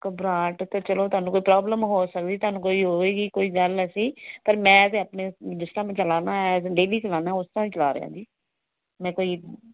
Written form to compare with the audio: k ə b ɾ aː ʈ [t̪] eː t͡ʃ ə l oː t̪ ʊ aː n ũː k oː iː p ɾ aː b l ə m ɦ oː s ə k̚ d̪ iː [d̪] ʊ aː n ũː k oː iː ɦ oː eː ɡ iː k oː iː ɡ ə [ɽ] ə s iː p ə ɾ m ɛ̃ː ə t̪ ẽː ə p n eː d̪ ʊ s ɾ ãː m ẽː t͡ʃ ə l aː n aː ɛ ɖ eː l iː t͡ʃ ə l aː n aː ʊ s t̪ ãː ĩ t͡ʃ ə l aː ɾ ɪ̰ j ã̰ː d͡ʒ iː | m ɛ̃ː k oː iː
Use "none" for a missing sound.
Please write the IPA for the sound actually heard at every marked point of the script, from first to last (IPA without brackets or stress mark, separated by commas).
t̪, t̪, l